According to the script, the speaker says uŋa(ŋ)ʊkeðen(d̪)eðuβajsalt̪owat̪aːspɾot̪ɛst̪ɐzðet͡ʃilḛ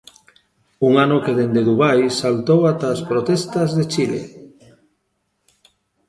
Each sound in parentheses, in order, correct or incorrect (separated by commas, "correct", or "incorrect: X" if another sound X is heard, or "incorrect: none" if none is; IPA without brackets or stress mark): incorrect: n, correct